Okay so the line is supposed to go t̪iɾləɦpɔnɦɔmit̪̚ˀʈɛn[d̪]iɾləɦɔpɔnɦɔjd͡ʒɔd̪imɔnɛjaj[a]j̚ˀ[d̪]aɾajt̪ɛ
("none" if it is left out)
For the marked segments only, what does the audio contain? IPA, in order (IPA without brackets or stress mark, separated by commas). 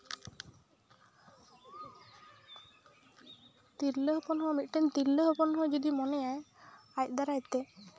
t̪, a, d̪